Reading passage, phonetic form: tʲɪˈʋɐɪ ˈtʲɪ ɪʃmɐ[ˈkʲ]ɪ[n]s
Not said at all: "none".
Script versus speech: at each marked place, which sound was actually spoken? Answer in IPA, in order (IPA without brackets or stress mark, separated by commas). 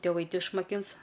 kʲ, n